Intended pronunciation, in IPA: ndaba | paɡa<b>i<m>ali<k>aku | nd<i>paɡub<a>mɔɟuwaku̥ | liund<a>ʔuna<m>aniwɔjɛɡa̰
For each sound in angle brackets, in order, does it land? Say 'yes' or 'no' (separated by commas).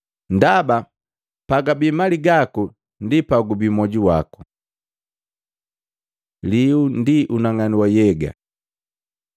yes, yes, no, yes, no, no, no